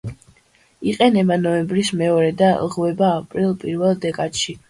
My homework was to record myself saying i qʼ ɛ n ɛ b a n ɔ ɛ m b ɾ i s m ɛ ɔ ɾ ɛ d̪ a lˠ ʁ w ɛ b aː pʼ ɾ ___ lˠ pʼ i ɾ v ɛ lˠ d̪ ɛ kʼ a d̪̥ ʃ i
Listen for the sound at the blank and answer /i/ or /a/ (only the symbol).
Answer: i